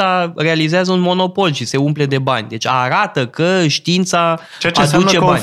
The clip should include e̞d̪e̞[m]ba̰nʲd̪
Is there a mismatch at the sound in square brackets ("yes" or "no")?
yes